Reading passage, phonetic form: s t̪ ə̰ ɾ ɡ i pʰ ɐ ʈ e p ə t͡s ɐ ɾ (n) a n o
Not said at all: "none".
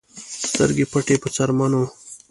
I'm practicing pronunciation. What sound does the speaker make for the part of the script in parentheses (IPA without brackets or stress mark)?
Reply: m